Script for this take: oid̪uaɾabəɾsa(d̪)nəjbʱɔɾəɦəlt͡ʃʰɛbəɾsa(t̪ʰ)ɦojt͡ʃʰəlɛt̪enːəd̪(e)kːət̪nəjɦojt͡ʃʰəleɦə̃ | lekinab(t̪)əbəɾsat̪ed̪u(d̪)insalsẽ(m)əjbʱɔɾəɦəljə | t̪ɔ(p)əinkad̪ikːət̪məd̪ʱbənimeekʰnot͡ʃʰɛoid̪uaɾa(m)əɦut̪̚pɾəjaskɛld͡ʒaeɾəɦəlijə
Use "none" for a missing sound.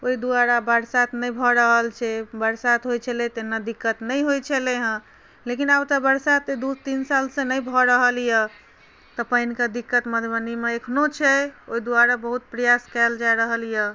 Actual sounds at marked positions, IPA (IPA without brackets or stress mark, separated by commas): t̪, t̪, i, t̪, t̪, n, p, b